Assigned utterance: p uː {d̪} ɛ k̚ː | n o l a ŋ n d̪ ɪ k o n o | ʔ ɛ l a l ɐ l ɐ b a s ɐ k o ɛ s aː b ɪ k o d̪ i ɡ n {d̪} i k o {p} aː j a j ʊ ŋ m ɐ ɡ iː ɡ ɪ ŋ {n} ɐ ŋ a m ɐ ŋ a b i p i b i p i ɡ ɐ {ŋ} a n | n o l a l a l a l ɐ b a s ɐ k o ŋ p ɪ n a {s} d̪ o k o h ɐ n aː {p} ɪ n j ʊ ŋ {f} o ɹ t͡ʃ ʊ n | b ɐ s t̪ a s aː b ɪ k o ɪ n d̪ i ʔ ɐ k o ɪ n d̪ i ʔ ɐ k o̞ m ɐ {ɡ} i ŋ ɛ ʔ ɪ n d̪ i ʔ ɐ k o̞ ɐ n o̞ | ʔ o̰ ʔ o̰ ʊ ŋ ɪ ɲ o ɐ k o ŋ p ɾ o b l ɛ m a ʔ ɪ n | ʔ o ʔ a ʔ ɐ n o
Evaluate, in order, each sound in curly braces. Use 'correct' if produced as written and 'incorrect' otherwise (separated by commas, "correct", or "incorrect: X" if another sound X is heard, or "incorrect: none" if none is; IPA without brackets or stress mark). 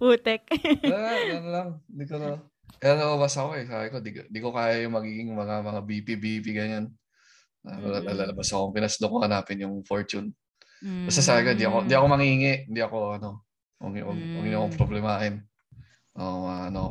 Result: incorrect: t̪, correct, incorrect: k, incorrect: m, incorrect: ɲ, correct, correct, correct, incorrect: ŋ